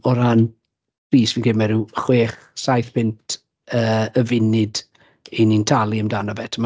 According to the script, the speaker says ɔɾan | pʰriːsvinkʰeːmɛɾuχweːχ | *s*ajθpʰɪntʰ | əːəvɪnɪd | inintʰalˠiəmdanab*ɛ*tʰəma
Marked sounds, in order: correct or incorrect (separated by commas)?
correct, correct